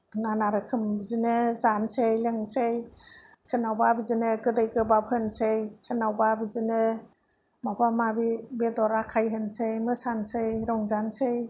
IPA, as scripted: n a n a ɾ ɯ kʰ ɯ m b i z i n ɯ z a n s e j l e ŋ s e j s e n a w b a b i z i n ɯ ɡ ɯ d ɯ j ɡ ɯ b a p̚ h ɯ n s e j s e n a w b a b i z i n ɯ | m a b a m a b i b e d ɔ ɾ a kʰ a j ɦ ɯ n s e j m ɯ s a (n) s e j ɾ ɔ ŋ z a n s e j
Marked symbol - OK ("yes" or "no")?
yes